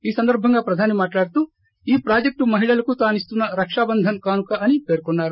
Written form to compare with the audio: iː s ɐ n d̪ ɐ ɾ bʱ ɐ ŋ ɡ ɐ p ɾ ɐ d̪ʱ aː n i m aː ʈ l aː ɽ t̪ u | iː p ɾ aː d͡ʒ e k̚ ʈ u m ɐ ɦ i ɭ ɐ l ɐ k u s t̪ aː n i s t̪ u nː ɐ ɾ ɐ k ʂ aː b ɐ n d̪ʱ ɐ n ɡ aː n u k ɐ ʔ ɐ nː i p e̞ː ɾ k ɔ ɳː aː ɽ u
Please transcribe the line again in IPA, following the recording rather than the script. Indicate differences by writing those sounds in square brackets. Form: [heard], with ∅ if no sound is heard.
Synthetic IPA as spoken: iː s ɐ n d̪ ɐ ɾ bʱ ɐ ŋ ɡ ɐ p ɾ ɐ d̪ʱ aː n i m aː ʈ l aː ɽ t̪ u | iː p ɾ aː d͡ʒ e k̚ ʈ u m ɐ ɦ i ɭ ɐ l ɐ k u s t̪ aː n i s t̪ u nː ɐ ɾ ɐ k ʂ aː b ɐ n d̪ʱ ɐ n [k] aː n u k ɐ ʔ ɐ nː i p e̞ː ɾ k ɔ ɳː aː [ɾ] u